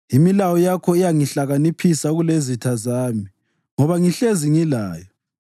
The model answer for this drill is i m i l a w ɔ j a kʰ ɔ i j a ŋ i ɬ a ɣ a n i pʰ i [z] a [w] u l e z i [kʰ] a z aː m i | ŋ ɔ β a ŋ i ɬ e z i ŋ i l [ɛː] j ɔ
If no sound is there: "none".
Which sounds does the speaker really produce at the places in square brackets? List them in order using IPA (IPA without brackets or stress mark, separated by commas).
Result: s, ɣ, tʰ, aː